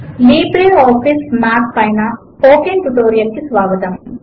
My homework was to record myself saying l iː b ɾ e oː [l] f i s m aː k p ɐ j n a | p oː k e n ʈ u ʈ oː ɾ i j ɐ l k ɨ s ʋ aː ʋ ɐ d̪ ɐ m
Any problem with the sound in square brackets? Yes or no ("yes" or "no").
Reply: yes